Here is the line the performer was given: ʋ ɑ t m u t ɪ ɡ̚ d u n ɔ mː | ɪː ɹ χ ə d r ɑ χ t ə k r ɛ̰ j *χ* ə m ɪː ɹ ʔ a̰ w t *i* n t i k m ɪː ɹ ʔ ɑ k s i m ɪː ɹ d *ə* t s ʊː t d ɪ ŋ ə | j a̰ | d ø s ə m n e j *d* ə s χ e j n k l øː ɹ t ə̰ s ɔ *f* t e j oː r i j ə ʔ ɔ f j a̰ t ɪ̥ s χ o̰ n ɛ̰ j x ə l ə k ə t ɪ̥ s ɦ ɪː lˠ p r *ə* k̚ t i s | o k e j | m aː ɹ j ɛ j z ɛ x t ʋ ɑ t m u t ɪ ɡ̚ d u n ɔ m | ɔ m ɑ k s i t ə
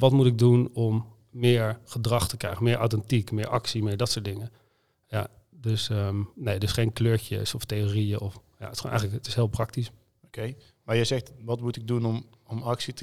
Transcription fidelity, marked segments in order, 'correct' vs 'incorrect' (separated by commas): correct, incorrect, incorrect, correct, correct, incorrect